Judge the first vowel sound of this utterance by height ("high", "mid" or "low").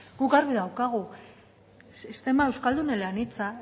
high